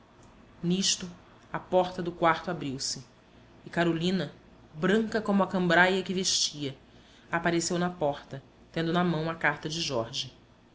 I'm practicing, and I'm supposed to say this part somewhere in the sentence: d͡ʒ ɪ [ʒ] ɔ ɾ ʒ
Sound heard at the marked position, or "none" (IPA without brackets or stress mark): ʒ